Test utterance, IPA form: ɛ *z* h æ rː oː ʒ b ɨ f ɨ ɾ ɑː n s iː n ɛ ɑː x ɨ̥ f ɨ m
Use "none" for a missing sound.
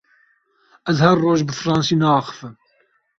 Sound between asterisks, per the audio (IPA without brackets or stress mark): z